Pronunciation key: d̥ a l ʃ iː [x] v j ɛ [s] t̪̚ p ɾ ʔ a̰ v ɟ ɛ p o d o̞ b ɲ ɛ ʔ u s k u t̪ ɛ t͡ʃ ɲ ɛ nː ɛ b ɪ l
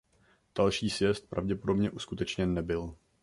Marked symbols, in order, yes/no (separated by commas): no, yes